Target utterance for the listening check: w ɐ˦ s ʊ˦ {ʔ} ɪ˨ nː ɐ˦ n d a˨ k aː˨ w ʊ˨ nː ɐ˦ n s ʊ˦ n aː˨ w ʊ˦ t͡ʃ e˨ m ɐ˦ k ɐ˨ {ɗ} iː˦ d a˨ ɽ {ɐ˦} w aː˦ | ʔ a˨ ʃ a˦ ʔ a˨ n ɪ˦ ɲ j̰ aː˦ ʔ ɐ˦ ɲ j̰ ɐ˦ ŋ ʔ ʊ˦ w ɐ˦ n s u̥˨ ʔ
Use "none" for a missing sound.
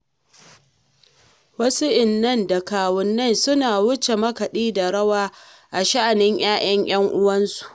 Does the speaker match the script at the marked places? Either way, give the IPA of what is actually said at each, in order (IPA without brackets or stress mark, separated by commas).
ʔ, ɗ, ɐ˦